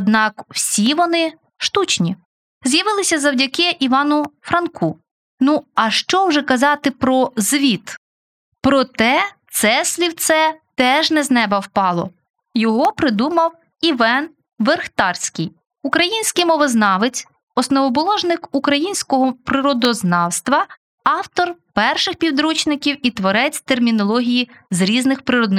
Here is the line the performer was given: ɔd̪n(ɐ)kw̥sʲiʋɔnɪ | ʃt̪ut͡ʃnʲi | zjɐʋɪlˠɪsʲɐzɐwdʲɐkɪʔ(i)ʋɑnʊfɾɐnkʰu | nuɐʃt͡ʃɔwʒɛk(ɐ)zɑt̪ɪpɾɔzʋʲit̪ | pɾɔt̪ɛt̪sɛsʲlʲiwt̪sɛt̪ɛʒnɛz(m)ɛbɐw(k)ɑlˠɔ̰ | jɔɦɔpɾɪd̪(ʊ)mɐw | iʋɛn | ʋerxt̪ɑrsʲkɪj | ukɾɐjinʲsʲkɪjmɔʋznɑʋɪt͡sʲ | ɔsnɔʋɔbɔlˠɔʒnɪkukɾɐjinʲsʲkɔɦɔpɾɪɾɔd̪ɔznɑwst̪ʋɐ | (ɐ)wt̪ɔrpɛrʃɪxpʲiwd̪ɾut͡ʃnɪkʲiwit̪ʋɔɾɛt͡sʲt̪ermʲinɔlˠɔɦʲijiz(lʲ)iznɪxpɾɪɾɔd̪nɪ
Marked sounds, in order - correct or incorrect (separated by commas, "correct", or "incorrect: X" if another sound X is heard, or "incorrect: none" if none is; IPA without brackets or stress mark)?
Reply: incorrect: ɑ, correct, correct, incorrect: n, incorrect: p, incorrect: u, incorrect: ɑ, incorrect: ɾʲ